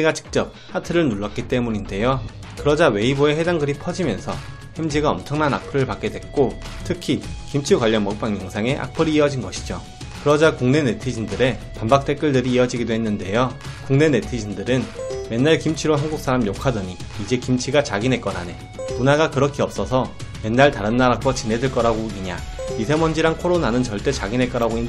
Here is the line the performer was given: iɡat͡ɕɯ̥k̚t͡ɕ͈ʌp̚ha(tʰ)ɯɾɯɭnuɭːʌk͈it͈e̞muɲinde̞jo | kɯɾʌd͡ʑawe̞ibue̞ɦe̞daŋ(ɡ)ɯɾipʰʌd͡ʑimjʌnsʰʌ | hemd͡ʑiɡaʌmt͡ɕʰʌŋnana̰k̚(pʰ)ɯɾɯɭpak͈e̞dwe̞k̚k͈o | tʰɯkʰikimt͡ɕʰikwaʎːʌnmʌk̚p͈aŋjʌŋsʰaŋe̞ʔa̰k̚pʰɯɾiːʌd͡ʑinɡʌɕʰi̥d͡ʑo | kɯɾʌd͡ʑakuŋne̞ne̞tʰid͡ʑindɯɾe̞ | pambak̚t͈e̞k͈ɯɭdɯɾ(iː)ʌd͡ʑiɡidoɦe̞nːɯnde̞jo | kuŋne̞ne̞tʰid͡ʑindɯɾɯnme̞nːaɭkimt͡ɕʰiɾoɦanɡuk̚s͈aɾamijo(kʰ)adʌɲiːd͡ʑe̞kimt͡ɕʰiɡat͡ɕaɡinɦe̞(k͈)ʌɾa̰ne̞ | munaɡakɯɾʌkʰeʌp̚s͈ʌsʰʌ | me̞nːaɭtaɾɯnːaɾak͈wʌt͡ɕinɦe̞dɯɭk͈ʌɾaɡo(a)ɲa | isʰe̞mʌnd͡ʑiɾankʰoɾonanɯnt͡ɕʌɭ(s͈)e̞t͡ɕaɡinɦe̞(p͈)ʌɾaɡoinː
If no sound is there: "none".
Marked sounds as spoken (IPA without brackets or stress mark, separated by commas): tʰ, ɡ, pʰ, iː, kʰ, k͈, i, t͈, k͈